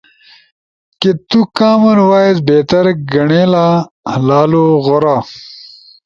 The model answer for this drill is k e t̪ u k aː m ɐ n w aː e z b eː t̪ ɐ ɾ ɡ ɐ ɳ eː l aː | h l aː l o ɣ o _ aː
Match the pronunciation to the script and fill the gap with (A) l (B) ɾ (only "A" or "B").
B